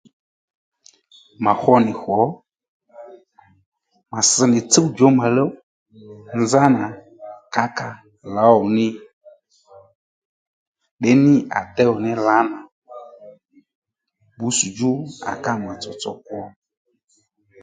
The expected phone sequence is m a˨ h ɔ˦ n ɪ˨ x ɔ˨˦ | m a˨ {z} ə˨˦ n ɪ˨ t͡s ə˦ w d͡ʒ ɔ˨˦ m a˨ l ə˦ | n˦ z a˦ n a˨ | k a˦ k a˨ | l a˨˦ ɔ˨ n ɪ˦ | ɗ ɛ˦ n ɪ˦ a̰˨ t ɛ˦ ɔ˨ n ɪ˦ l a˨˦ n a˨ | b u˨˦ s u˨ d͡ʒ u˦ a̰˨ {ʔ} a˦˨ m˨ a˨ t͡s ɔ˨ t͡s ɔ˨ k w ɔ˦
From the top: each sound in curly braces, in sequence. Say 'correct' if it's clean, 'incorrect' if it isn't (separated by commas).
incorrect, incorrect